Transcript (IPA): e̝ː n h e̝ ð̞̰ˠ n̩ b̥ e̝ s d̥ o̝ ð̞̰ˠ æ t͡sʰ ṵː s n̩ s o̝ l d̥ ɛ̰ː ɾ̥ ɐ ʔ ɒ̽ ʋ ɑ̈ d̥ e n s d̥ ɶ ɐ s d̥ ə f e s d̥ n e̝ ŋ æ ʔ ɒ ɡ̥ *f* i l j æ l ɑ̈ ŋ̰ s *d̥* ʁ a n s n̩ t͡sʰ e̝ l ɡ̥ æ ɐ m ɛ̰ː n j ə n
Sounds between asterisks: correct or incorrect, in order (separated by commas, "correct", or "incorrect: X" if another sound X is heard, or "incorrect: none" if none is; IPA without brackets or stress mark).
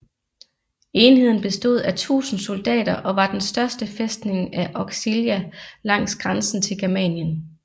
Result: incorrect: s, incorrect: ɡ̥